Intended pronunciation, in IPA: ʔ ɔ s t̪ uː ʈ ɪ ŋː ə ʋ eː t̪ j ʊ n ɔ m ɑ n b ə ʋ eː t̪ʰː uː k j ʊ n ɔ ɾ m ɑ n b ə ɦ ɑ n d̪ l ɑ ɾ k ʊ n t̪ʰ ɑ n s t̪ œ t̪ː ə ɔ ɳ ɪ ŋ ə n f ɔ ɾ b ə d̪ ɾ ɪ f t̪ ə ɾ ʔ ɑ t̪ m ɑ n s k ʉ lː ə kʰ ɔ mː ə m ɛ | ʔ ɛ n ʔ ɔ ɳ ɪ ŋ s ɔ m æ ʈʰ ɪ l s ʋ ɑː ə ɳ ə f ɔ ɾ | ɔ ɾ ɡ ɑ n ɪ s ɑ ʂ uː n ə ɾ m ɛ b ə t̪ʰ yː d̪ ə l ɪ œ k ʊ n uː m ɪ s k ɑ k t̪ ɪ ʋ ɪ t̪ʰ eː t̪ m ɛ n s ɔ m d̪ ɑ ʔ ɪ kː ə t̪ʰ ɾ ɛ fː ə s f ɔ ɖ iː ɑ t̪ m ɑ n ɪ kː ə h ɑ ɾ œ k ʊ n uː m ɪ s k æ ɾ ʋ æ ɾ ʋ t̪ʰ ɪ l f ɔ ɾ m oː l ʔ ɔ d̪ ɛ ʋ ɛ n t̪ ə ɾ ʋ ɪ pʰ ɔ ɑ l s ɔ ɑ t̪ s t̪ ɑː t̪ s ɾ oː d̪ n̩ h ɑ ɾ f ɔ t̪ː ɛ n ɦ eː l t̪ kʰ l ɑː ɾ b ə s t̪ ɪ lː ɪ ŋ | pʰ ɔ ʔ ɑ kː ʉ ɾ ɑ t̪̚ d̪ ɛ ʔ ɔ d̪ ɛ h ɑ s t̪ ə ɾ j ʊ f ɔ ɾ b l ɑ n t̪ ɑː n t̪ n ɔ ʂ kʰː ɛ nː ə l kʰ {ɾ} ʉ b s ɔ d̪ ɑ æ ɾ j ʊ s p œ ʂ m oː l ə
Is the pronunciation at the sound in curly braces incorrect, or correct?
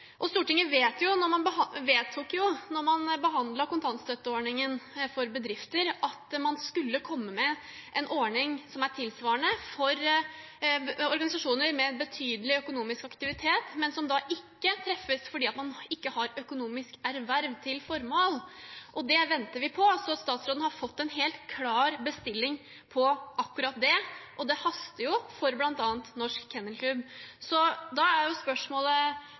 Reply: incorrect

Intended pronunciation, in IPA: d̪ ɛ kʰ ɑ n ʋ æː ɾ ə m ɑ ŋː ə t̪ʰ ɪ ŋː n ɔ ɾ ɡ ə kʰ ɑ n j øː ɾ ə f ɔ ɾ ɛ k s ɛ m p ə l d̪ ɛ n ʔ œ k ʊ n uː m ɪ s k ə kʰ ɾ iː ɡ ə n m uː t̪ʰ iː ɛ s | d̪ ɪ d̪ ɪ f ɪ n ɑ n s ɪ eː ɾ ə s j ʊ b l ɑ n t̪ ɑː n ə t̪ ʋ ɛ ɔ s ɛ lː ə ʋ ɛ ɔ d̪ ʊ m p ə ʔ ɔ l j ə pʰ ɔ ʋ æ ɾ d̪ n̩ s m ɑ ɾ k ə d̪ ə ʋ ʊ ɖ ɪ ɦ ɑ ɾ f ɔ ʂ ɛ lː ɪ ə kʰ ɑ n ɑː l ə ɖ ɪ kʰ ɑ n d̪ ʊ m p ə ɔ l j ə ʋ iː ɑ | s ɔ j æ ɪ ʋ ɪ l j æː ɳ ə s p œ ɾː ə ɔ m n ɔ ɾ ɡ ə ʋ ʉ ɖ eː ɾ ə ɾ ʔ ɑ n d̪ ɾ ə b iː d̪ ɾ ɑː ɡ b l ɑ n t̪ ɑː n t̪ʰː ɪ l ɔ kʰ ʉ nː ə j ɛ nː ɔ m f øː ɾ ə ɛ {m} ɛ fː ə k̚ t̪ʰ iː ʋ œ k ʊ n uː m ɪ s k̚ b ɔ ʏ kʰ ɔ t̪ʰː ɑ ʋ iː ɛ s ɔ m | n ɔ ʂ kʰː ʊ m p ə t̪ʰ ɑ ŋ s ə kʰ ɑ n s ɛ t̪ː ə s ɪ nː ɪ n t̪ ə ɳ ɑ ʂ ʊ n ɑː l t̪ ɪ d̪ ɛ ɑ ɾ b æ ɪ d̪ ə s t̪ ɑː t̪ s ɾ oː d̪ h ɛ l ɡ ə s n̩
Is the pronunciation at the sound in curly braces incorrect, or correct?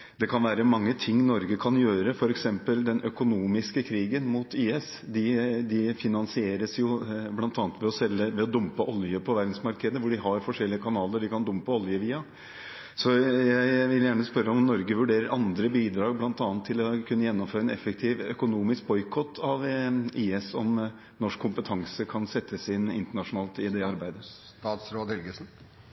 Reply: incorrect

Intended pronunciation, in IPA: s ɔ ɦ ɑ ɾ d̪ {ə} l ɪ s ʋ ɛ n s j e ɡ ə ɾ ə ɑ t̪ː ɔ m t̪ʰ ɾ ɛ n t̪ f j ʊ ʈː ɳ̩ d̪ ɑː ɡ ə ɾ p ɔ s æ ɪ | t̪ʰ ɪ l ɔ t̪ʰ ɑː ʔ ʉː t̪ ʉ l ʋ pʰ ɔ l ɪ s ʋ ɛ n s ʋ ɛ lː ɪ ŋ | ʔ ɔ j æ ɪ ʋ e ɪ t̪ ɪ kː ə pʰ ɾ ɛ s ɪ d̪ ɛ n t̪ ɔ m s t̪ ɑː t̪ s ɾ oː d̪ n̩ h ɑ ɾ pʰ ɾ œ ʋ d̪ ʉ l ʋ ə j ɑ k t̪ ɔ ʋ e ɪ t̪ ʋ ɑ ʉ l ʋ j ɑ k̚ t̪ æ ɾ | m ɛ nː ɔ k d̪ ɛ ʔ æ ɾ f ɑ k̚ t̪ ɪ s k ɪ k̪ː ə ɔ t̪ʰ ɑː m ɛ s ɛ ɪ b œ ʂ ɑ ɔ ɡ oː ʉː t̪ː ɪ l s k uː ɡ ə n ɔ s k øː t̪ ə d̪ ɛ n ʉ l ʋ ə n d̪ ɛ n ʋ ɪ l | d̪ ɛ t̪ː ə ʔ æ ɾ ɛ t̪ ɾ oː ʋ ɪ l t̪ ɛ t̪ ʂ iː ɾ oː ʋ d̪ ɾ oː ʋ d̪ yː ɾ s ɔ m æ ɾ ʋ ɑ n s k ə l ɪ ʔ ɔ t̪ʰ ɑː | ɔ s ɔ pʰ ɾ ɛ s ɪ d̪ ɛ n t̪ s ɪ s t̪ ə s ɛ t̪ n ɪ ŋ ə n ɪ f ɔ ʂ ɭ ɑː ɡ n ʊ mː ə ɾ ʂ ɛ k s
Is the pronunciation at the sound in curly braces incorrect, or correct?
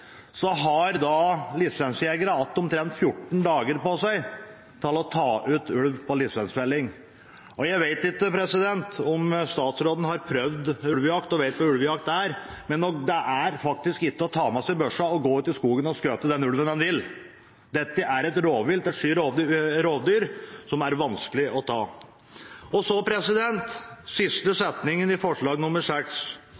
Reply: incorrect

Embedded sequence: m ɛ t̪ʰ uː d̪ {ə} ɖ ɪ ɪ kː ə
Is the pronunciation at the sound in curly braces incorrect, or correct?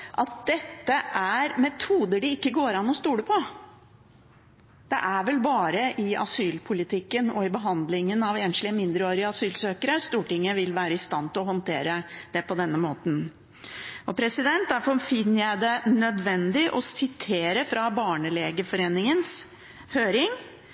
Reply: correct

